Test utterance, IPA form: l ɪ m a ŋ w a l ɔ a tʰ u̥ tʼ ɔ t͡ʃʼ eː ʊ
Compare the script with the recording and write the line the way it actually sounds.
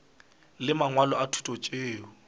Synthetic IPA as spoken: l ɪ m a ŋ w a l ɔ a tʰ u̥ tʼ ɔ t͡ʃʼ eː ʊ